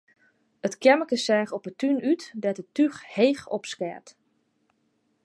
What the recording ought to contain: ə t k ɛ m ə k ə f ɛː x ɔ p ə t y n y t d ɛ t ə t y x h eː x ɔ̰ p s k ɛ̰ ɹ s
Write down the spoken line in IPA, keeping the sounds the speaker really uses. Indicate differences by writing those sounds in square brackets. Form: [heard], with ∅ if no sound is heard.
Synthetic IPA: ə t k ɛ m ə k ə [s] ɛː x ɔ p ə t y n y t d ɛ t ə t y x h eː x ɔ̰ p s k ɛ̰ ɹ [t]